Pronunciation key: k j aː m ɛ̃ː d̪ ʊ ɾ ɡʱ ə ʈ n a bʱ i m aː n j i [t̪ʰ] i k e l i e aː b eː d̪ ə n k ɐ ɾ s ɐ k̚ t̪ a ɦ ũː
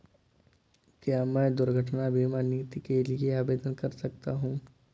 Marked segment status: incorrect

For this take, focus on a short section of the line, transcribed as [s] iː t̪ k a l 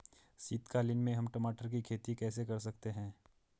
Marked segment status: correct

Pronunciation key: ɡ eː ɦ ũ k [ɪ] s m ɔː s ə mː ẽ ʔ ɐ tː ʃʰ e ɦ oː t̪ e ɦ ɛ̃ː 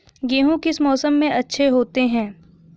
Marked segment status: correct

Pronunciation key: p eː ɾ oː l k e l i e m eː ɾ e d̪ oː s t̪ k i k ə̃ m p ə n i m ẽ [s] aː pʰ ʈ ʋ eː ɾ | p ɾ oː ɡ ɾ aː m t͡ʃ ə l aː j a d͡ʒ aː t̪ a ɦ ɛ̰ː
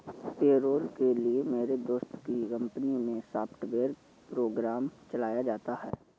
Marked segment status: correct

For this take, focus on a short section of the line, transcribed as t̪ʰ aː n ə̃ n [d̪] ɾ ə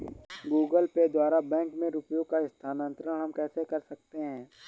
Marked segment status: incorrect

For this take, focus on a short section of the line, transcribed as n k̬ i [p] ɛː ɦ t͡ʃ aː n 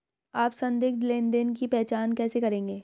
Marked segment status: correct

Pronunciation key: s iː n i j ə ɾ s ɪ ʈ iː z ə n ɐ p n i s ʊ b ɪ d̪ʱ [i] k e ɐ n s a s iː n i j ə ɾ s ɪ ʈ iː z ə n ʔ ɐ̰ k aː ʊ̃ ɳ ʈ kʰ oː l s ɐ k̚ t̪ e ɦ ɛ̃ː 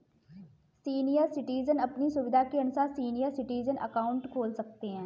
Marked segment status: incorrect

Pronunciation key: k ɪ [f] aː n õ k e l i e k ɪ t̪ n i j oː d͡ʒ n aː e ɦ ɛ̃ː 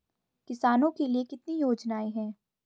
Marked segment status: incorrect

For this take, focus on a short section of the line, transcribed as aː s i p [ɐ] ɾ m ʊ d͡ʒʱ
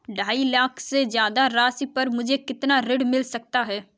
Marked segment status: incorrect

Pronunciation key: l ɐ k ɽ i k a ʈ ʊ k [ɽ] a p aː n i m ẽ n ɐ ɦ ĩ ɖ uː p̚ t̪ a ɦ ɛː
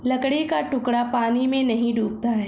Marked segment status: correct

